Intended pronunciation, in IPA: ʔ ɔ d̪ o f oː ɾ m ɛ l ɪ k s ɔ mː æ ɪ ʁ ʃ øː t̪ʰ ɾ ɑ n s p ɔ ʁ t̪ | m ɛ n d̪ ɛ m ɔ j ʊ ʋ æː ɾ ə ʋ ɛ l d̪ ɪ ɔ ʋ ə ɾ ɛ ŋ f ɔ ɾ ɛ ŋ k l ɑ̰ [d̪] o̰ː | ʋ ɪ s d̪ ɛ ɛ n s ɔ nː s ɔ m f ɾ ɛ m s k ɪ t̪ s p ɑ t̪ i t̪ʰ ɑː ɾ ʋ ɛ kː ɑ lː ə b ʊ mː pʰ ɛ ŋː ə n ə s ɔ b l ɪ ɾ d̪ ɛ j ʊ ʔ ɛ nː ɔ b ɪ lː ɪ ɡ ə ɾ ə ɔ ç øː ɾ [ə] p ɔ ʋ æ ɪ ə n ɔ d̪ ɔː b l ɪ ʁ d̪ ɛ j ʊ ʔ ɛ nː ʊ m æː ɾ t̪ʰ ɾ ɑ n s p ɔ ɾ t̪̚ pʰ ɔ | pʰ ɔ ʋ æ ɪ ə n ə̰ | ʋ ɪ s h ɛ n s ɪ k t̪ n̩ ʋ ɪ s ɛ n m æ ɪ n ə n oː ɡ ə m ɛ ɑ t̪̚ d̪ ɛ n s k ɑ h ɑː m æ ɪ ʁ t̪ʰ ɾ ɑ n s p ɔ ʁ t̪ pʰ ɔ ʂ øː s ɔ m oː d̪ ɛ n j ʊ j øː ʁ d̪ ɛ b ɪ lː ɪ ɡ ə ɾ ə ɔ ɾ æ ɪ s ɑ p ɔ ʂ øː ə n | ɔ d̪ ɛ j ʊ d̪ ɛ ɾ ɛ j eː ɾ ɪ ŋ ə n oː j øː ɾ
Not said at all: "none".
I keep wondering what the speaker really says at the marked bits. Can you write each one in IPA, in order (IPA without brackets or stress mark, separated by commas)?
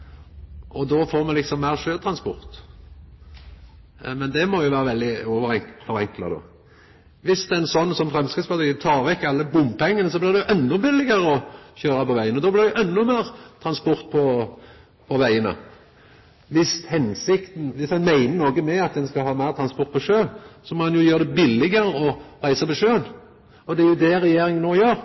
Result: d̪, ɑ